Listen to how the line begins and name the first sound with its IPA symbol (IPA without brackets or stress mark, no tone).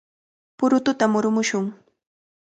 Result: p